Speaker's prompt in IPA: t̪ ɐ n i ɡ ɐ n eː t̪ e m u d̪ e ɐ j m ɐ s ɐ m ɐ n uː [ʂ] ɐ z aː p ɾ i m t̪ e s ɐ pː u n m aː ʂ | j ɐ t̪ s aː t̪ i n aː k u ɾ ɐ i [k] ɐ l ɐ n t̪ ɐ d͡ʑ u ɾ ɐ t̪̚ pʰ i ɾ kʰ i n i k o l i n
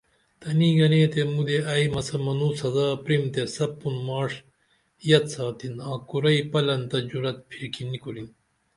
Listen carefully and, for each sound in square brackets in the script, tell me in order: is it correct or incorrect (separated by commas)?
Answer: incorrect, incorrect